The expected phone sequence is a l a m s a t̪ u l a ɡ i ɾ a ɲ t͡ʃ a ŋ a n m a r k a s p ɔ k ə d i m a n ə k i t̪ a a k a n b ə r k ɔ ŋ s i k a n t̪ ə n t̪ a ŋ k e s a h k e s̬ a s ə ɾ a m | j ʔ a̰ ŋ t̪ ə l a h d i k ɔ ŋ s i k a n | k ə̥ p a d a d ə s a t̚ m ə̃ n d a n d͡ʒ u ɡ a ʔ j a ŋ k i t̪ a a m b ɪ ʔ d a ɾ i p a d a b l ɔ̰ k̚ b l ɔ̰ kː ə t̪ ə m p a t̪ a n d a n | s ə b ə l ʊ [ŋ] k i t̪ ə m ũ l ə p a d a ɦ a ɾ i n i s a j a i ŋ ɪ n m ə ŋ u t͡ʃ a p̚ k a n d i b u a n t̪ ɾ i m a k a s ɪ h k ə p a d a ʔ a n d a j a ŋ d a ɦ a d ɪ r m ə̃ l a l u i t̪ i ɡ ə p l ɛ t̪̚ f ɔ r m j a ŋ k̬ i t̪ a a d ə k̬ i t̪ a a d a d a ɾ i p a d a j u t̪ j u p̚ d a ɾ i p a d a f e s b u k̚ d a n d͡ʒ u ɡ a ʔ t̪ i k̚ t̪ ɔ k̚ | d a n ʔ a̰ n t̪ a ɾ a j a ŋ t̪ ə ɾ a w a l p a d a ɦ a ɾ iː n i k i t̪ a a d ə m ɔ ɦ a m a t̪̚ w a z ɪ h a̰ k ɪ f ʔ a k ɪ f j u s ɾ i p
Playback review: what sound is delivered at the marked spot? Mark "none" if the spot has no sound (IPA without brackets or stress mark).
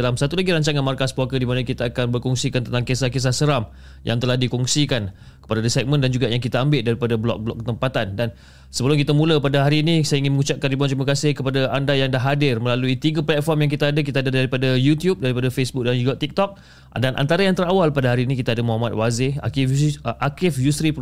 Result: m